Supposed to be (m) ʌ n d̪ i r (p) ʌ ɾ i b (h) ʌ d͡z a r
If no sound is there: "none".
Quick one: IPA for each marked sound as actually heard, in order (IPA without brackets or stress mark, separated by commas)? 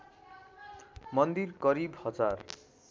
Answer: m, k, h